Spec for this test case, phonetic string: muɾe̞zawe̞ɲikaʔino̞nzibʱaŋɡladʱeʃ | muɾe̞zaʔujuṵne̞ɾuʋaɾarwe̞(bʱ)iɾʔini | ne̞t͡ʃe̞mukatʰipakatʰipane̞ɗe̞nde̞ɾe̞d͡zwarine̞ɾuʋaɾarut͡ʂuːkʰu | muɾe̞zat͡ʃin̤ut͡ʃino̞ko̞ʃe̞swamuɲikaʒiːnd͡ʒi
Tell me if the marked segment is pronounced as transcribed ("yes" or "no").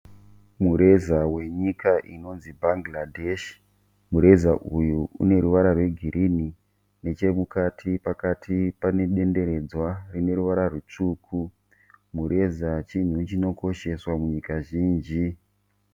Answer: no